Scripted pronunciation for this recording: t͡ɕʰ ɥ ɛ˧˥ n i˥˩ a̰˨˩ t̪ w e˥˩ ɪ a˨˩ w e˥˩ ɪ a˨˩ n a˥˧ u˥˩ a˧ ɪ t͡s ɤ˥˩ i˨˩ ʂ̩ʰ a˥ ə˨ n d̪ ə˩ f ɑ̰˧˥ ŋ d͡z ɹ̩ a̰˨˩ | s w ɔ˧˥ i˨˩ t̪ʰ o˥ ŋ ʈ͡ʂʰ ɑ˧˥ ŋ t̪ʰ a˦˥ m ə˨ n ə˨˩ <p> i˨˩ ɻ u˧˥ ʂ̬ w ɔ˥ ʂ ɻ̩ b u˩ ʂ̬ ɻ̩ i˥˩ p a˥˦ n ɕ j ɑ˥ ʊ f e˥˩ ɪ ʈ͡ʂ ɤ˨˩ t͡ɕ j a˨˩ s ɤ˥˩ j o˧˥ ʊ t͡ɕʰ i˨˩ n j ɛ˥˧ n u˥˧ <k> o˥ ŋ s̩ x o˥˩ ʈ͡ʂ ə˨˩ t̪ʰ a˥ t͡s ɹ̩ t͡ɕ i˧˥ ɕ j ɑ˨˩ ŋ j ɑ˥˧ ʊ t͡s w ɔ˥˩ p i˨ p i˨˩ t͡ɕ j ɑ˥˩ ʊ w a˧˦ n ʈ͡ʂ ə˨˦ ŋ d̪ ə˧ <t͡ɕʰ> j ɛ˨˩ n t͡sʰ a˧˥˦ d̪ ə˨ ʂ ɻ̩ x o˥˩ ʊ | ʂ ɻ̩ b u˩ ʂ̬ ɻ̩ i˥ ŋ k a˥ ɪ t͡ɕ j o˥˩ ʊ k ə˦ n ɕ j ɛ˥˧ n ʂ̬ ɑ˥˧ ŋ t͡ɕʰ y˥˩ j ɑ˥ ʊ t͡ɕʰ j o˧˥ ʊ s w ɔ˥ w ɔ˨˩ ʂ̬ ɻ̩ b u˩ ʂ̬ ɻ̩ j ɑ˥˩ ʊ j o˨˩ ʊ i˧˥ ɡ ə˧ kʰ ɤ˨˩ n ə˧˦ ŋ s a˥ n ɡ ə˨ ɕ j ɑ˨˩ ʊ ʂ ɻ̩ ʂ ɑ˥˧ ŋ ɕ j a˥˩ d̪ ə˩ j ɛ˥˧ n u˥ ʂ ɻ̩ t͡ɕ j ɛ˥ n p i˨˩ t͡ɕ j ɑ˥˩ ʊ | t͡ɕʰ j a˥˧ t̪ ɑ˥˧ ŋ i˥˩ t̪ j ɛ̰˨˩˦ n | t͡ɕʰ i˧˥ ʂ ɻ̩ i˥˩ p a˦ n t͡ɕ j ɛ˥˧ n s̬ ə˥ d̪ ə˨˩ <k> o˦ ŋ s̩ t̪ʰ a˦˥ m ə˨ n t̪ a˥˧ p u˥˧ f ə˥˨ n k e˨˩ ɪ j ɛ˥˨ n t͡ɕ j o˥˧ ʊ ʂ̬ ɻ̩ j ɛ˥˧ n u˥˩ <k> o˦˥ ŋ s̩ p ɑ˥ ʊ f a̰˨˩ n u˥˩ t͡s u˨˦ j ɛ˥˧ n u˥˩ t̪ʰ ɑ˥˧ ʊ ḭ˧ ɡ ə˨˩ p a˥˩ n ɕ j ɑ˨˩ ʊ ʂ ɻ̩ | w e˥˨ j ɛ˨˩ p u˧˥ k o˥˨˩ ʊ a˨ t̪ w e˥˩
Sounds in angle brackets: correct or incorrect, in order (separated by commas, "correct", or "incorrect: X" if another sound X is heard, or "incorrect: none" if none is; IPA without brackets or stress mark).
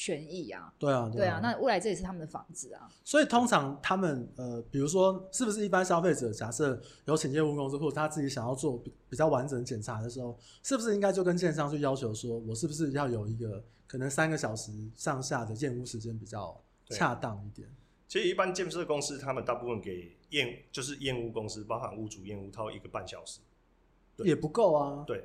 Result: correct, correct, incorrect: t͡ɕ, correct, correct